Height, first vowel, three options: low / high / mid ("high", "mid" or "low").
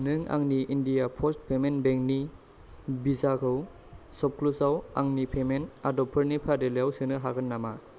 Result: high